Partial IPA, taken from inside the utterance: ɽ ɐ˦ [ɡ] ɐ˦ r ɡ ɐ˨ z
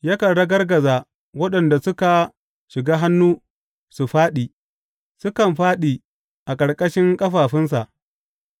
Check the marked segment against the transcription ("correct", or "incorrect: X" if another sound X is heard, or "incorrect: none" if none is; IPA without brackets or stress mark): correct